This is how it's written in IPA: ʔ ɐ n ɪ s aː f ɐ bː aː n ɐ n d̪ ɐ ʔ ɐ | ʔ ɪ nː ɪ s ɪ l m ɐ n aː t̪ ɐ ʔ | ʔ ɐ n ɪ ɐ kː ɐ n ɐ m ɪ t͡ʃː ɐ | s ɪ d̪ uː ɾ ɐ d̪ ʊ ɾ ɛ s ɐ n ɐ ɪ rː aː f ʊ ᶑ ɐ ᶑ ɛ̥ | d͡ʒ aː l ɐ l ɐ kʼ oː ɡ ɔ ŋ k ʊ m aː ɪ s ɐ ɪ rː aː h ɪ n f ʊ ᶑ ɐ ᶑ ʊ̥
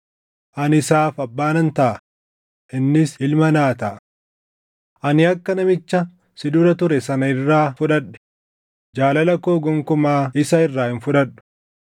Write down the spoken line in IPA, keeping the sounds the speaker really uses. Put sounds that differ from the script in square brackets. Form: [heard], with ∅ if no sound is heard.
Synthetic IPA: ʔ ɐ n ɪ s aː f ɐ bː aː n ɐ n [t̪] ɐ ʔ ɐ | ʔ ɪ nː ɪ s ɪ l m ɐ n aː t̪ ɐ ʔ | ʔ ɐ n ɪ ɐ kː ɐ n ɐ m ɪ t͡ʃː ɐ | s ɪ d̪ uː ɾ ɐ [t̪] ʊ ɾ ɛ s ɐ n ɐ ɪ rː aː f ʊ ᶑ ɐ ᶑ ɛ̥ | d͡ʒ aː l ɐ l ɐ [k] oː ɡ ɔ ŋ k ʊ m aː ɪ s ɐ ɪ rː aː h ɪ n f ʊ ᶑ ɐ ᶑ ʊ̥

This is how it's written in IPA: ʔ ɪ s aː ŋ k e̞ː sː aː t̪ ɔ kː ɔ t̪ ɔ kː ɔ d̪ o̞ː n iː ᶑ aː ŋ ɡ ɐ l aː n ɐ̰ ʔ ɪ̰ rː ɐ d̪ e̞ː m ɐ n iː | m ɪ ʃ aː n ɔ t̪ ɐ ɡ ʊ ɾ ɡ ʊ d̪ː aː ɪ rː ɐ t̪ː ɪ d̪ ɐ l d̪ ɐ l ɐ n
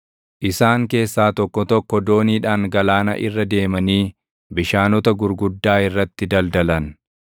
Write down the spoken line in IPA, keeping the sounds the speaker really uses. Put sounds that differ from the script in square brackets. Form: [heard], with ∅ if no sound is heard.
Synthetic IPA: ʔ ɪ s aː ŋ k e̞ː sː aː t̪ ɔ kː ɔ t̪ ɔ kː ɔ d̪ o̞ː n iː ᶑ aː ŋ ɡ ɐ l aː n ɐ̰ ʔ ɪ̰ rː ɐ d̪ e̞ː m ɐ n iː | [b] ɪ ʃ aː n ɔ t̪ ɐ ɡ ʊ ɾ ɡ ʊ d̪ː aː ɪ rː ɐ t̪ː ɪ d̪ ɐ l d̪ ɐ l ɐ n

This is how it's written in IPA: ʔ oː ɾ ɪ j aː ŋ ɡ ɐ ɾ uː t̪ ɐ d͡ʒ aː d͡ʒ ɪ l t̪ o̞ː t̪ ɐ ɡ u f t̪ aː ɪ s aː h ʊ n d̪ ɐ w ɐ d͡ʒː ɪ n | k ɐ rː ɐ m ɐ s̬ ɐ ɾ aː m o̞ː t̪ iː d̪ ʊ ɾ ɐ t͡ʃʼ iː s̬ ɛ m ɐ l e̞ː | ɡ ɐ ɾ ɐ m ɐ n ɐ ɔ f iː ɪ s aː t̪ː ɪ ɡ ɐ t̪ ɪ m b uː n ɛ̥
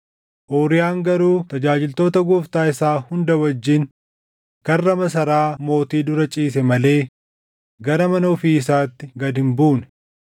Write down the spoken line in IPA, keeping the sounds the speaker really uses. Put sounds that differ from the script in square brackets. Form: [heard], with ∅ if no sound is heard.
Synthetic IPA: ʔ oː ɾ ɪ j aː ŋ ɡ ɐ ɾ uː t̪ ɐ d͡ʒ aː d͡ʒ ɪ l t̪ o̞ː t̪ ɐ ɡ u f t̪ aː ɪ s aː h ʊ n d̪ ɐ w ɐ d͡ʒː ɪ n | k ɐ rː ɐ m ɐ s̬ ɐ ɾ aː m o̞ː t̪ iː d̪ ʊ ɾ ɐ t͡ʃʼ iː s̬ ɛ m ɐ l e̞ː | ɡ ɐ ɾ ɐ m ɐ n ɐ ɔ f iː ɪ s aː t̪ː ɪ ɡ ɐ [d̪] ɪ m b uː n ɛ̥

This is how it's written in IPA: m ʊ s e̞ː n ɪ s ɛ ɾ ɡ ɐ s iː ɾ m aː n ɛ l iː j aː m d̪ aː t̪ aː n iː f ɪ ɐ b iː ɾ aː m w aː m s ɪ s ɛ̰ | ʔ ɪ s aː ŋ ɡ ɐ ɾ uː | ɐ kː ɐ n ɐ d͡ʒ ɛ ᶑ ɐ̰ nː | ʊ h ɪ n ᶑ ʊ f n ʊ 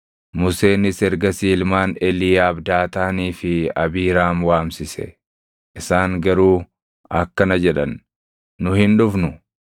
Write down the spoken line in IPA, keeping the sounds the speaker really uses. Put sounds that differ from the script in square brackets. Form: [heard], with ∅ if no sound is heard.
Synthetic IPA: m ʊ s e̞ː n ɪ s ɛ ɾ ɡ ɐ s iː [l] m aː n ɛ l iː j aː [b] d̪ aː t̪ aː n iː f ɪ ɐ b iː ɾ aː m w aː m s ɪ s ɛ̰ | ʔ ɪ s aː ŋ ɡ ɐ ɾ uː | ɐ kː ɐ n ɐ d͡ʒ ɛ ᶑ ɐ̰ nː | ʊ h ɪ n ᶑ ʊ f n ʊ

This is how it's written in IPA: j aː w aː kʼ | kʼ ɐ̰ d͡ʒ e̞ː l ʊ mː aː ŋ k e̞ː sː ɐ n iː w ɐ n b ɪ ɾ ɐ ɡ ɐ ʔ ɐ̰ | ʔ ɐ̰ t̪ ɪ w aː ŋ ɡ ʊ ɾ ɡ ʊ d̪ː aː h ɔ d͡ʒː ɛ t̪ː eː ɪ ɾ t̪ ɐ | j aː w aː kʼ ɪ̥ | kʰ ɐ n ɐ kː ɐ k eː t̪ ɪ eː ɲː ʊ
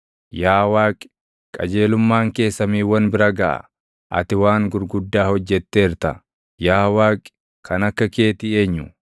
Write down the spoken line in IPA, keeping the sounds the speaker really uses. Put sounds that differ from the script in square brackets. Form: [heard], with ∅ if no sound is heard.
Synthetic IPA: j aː w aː kʼ | kʼ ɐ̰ d͡ʒ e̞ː l ʊ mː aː ŋ k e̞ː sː ɐ [m] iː w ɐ n b ɪ ɾ ɐ ɡ ɐ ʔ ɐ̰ | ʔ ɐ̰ t̪ ɪ w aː ŋ ɡ ʊ ɾ ɡ ʊ d̪ː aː h ɔ d͡ʒː ɛ t̪ː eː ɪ ɾ t̪ ɐ | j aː w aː kʼ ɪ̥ | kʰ ɐ n ɐ kː ɐ k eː t̪ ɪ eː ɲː ʊ

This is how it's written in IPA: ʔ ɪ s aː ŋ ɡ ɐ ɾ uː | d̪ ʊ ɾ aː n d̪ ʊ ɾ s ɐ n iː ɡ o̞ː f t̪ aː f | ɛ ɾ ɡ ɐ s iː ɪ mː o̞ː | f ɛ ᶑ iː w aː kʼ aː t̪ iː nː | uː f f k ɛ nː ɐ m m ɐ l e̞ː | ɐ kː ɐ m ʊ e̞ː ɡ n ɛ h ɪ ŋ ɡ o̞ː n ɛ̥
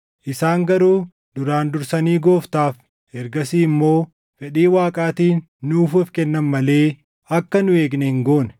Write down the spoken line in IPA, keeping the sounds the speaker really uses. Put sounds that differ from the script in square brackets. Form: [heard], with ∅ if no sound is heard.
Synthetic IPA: ʔ ɪ s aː ŋ ɡ ɐ ɾ uː | d̪ ʊ ɾ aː n d̪ ʊ ɾ s ɐ n iː ɡ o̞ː f t̪ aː f | ɛ ɾ ɡ ɐ s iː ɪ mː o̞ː | f ɛ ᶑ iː w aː kʼ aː t̪ iː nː | uː f f k ɛ nː ɐ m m ɐ l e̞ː | ɐ kː ɐ [n] ʊ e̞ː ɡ n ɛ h ɪ ŋ ɡ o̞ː n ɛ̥

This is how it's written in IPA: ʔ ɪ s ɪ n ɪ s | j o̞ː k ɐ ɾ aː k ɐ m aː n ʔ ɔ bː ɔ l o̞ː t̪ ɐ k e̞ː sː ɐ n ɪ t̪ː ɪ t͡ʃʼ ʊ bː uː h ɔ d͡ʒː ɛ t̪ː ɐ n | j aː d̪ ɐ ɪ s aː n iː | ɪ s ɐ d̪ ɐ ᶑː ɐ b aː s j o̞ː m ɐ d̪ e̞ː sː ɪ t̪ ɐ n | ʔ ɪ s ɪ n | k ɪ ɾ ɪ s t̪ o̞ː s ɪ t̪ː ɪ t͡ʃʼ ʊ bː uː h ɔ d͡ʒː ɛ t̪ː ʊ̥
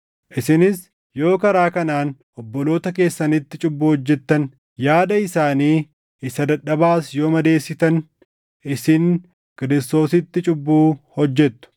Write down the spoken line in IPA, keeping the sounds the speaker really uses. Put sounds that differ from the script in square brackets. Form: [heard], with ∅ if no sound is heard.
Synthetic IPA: ʔ ɪ s ɪ n ɪ s | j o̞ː k ɐ ɾ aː k ɐ [n] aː n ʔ ɔ bː ɔ l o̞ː t̪ ɐ k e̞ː sː ɐ n ɪ t̪ː ɪ t͡ʃʼ ʊ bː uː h ɔ d͡ʒː ɛ t̪ː ɐ n | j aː d̪ ɐ ɪ s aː n iː | ɪ s ɐ d̪ ɐ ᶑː ɐ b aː s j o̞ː m ɐ d̪ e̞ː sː ɪ t̪ ɐ n | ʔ ɪ s ɪ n | k ɪ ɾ ɪ s t̪ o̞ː s ɪ t̪ː ɪ t͡ʃʼ ʊ bː uː h ɔ d͡ʒː ɛ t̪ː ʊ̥

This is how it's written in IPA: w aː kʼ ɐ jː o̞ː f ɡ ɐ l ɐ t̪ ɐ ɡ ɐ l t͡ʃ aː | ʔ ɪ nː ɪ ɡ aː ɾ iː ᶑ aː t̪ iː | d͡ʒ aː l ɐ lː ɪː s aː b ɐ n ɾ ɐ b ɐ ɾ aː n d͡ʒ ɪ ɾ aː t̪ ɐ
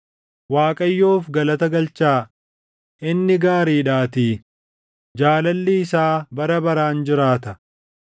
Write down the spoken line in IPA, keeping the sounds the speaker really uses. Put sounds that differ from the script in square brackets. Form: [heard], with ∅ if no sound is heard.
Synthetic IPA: w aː kʼ ɐ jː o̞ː f ɡ ɐ l ɐ t̪ ɐ ɡ ɐ l t͡ʃ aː | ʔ ɪ nː ɪ ɡ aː ɾ iː ᶑ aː t̪ iː | d͡ʒ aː l ɐ lː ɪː s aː b ɐ [∅] ɾ ɐ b ɐ ɾ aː n d͡ʒ ɪ ɾ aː t̪ ɐ

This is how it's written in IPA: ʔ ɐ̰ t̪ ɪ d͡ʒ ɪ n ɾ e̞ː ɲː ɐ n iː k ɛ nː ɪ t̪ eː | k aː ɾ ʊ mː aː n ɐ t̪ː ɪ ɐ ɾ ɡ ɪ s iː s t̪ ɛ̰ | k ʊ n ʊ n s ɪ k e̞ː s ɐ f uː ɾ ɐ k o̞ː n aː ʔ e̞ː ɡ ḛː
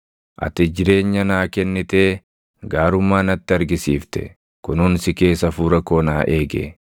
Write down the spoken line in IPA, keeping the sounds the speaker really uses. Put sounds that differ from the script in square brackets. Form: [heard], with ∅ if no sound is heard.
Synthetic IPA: ʔ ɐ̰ t̪ ɪ d͡ʒ ɪ [∅] ɾ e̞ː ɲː ɐ n [aː] k ɛ nː ɪ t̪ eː | [ɡ] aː ɾ ʊ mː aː n ɐ t̪ː ɪ ɐ ɾ ɡ ɪ s iː [f] t̪ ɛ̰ | k ʊ n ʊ n s ɪ k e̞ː s ɐ f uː ɾ ɐ k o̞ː n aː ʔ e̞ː ɡ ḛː

